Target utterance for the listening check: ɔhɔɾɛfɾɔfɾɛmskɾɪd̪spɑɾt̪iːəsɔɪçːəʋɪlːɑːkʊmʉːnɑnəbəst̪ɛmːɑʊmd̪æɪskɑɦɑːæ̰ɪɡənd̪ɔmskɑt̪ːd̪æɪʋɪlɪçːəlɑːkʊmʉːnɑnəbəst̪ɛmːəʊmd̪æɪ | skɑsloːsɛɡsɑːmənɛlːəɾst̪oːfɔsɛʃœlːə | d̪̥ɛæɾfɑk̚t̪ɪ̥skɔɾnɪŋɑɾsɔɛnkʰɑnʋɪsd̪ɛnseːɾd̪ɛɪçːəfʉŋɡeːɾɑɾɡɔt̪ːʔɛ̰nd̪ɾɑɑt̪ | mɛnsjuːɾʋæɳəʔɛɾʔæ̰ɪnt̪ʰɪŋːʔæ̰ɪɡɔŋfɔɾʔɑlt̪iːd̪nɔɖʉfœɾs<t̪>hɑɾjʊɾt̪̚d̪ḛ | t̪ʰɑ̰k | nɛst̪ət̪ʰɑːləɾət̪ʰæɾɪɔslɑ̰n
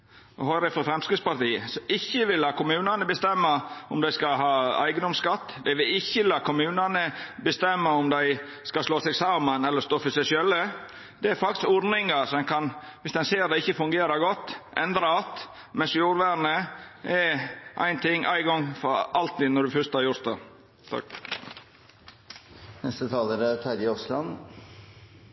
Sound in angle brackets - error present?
no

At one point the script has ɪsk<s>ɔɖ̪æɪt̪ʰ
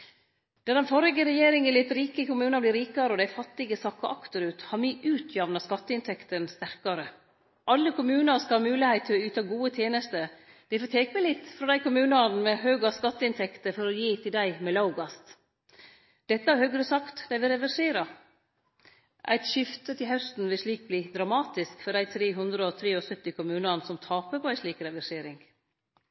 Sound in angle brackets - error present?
yes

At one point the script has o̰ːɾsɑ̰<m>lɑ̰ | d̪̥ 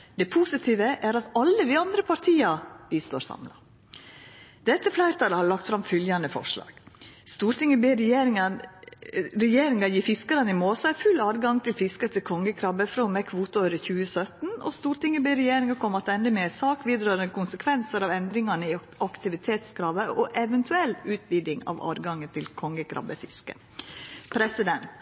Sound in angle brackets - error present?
no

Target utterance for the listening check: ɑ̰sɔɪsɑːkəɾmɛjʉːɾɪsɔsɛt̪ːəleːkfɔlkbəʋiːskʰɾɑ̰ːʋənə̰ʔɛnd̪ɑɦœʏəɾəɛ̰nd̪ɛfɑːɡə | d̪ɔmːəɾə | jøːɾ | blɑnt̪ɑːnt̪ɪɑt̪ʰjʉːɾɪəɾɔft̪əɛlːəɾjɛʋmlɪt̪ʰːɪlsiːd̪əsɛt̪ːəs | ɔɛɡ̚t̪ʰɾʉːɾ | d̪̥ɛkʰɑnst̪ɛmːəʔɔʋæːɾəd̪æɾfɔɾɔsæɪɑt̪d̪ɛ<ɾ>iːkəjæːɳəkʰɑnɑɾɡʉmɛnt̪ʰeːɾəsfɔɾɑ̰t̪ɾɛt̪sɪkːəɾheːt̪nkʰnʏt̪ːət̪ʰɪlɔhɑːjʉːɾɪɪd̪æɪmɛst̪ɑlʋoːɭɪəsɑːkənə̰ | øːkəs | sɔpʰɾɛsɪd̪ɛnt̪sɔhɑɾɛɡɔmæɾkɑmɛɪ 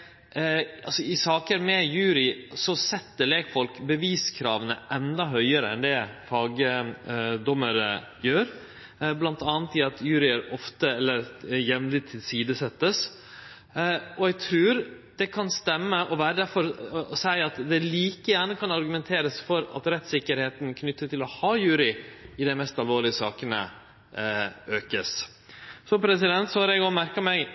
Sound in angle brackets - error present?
yes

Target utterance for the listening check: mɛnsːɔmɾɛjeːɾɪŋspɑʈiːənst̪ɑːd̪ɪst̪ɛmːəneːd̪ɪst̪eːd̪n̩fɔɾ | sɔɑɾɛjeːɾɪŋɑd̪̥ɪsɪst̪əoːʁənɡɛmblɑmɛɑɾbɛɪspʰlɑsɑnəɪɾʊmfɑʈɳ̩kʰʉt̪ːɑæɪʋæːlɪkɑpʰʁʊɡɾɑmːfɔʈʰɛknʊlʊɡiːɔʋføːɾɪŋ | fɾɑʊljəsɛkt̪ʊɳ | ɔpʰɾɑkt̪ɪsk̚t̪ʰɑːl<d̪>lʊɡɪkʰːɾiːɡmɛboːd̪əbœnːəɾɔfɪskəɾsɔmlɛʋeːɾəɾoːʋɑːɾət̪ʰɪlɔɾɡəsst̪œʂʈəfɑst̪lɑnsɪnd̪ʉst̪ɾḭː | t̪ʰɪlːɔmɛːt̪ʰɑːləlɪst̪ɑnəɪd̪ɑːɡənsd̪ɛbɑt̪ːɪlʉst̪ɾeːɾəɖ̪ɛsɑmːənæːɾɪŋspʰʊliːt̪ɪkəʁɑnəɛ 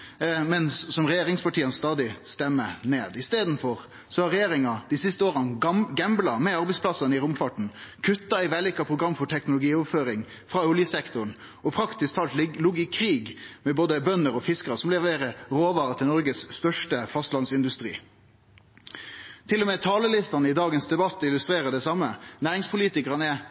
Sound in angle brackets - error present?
yes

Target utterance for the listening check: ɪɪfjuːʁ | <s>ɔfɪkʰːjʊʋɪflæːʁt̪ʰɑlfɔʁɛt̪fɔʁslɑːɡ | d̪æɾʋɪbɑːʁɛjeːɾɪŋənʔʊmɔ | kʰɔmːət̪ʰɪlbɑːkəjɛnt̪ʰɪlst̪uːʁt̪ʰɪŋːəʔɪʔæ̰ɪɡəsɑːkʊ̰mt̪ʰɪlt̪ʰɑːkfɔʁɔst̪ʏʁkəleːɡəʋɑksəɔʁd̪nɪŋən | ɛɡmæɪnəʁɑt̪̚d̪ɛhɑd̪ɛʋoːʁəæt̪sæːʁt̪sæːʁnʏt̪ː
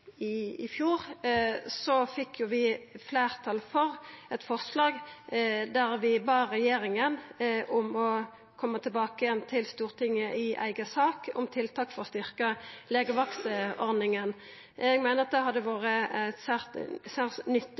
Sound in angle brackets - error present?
no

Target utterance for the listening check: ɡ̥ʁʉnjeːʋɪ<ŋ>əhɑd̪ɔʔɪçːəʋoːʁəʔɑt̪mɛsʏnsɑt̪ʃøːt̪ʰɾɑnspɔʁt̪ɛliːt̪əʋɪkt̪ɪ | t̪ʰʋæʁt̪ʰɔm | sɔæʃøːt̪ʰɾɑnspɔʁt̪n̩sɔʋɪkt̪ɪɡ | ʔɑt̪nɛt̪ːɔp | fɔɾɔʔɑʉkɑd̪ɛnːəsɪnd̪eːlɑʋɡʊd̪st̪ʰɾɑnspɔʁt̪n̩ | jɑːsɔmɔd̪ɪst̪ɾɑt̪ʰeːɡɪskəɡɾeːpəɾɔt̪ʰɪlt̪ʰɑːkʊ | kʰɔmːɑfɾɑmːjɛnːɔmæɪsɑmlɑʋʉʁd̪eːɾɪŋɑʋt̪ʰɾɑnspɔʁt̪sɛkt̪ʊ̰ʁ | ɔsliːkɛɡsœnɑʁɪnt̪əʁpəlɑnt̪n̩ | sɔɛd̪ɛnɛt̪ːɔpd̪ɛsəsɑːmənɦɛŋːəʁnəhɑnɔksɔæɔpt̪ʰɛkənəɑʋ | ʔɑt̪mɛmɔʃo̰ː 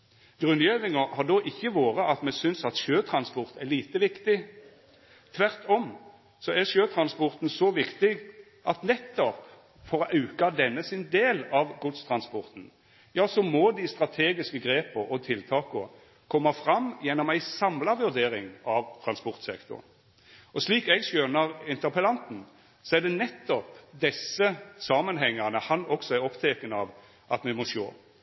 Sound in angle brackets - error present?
no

